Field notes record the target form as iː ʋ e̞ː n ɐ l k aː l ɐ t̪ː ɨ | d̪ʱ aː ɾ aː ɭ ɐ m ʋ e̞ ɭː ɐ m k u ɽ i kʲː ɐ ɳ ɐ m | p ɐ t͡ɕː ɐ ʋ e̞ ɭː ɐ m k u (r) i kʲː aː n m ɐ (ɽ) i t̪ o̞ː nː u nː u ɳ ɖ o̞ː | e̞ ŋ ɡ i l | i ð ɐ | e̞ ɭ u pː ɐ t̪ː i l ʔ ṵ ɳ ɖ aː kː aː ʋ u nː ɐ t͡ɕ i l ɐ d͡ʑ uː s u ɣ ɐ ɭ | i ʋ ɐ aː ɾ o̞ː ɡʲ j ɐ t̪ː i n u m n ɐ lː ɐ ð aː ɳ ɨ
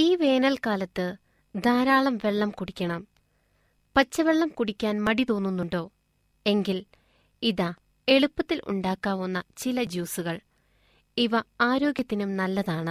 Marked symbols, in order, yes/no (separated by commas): no, yes